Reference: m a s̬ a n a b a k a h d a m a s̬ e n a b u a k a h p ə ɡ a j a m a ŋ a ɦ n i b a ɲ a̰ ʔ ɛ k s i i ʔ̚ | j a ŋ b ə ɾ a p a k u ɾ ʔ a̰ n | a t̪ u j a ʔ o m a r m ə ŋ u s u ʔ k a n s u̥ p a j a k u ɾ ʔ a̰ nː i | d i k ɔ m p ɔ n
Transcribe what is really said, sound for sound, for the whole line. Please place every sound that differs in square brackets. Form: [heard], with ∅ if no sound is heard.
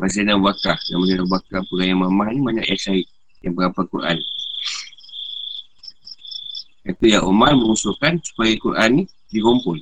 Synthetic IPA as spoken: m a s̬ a n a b a k a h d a m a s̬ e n a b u a k a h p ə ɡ a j a m a [m] a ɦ n i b a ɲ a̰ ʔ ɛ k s [a] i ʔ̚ | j a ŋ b ə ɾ a p a k u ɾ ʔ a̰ n | a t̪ u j a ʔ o m a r m ə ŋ u s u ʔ k a n s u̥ p a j a k u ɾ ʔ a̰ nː i | d i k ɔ m p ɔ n